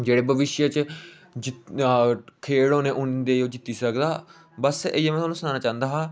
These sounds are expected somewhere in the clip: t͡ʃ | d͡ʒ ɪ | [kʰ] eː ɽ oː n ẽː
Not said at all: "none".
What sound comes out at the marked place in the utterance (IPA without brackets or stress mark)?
kʰ